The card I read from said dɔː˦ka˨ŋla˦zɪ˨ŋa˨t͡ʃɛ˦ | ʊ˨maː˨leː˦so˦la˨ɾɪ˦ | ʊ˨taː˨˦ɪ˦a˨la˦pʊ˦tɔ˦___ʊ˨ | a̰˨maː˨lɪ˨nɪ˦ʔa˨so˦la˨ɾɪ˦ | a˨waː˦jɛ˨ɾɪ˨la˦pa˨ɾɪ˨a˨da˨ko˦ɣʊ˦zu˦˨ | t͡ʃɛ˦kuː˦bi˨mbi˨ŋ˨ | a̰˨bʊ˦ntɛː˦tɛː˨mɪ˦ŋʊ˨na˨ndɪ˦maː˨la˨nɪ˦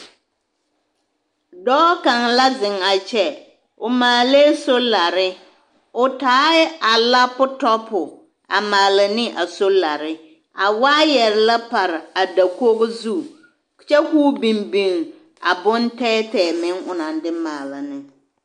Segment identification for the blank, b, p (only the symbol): p